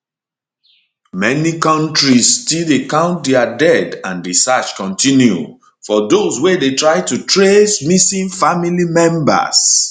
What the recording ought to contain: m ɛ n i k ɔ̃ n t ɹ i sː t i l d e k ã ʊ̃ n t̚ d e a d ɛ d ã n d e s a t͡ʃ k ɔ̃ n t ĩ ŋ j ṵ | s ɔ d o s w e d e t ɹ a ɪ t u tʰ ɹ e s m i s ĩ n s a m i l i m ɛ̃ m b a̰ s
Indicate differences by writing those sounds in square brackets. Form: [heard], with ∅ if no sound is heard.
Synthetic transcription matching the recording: m ɛ n i k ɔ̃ n t ɹ i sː t i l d e k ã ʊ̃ n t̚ d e a d ɛ d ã n d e s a t͡ʃ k ɔ̃ n t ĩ [n] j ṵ | [f] ɔ d o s w e d e t ɹ a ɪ t u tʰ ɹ e s m i s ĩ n [f] a m i l i m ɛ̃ m b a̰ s